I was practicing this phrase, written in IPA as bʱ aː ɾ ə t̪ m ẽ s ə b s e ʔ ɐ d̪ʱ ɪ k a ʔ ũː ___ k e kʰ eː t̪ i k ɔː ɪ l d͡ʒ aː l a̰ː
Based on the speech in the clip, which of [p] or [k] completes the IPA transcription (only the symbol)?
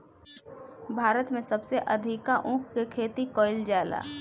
k